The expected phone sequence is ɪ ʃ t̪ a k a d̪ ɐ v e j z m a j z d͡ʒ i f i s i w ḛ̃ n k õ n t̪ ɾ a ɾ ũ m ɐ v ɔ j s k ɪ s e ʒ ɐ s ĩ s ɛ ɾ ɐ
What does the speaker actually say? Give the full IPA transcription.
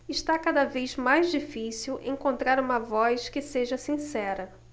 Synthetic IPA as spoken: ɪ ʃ t̪ a k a d̪ ɐ v e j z m a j z d͡ʒ i f i s i w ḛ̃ ŋ k õ n t̪ ɾ a ɾ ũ m ɐ v ɔ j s k ɪ s e ʒ ɐ s ĩ s ɛ ɾ ɐ